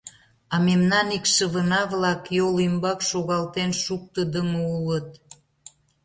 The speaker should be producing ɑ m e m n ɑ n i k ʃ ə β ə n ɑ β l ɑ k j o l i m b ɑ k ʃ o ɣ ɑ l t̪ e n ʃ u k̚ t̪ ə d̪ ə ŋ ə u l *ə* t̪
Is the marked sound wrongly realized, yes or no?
no